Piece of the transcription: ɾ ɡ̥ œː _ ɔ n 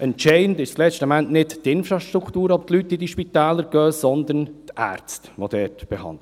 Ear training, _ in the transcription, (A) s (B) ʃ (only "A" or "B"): A